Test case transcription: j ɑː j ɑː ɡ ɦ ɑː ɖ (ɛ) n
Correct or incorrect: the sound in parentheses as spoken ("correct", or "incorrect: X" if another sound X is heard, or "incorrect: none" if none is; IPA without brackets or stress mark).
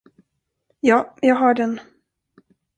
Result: correct